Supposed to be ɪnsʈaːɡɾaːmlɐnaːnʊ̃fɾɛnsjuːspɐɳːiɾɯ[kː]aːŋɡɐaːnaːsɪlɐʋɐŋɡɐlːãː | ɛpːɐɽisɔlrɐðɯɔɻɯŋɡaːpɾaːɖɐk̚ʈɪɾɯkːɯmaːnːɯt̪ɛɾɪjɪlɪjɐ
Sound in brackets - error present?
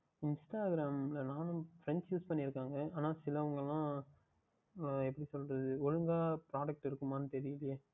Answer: no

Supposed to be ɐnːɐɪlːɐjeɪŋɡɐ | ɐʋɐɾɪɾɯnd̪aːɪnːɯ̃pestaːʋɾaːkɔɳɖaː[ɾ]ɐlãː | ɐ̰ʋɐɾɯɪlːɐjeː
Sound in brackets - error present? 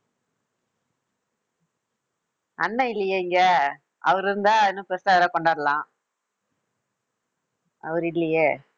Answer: no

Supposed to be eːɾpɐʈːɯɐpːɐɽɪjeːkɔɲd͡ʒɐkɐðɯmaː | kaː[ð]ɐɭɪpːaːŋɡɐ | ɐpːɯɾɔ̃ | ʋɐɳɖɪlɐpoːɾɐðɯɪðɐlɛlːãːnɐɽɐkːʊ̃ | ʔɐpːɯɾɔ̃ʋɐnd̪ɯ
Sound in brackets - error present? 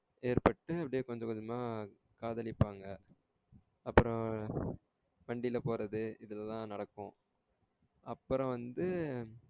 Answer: no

